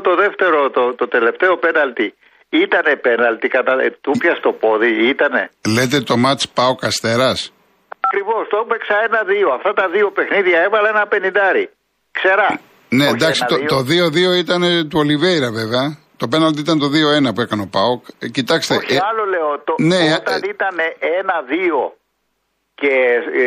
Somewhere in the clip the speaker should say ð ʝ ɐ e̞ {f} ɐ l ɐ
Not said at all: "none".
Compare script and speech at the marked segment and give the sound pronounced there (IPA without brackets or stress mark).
v